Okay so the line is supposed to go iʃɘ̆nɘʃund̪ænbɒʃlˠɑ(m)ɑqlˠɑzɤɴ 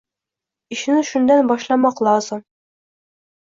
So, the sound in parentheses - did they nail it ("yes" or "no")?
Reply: yes